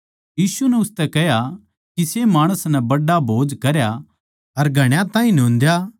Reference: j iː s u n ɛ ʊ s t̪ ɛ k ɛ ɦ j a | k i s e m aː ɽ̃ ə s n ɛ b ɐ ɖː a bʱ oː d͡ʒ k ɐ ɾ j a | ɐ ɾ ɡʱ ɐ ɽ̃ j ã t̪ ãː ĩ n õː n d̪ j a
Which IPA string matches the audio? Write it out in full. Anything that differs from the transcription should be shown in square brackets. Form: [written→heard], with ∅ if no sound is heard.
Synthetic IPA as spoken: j iː s u n ɛ ʊ s t̪ ɛ k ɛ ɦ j a | k i s e m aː ɽ̃ ə s n ɛ b ɐ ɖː a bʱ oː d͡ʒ k ɐ ɾ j a | ɐ ɾ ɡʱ ɐ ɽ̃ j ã t̪ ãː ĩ n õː n d̪ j a